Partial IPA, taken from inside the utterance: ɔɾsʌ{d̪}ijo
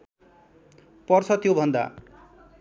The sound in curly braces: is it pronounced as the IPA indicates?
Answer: no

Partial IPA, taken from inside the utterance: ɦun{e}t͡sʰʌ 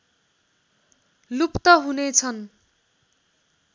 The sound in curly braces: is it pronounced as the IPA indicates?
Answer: yes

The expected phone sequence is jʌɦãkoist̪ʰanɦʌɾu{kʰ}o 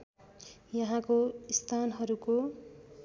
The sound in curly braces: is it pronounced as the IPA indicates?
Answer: no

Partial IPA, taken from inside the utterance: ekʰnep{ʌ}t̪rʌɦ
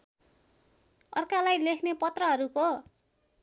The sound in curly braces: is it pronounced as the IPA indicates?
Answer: yes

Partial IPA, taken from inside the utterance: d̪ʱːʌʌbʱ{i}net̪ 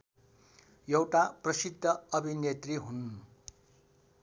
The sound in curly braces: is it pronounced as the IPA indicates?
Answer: yes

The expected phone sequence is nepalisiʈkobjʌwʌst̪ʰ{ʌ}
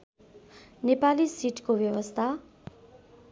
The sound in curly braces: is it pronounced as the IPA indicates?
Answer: no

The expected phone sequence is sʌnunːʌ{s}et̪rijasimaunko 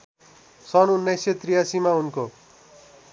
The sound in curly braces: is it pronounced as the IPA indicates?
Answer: yes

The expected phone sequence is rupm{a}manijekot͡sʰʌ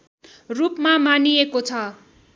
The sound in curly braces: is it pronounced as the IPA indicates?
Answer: yes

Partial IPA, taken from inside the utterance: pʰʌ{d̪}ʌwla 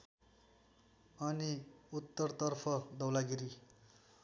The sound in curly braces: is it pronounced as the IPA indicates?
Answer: yes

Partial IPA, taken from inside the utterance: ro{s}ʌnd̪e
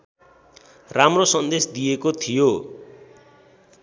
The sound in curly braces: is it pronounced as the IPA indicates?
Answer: yes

